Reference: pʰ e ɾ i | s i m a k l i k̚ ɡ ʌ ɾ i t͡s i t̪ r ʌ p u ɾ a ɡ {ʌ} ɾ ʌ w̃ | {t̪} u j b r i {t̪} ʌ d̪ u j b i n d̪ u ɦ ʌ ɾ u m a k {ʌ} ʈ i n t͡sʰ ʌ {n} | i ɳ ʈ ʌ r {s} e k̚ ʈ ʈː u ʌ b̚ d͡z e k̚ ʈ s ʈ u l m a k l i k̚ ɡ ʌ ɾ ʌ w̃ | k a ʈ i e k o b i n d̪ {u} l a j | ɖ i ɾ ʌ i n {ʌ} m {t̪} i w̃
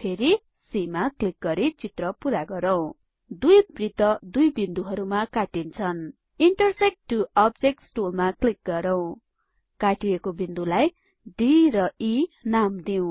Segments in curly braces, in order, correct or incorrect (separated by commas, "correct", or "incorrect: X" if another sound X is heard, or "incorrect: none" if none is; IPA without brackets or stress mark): correct, incorrect: d̪, correct, incorrect: a, correct, correct, correct, incorrect: a, incorrect: d̪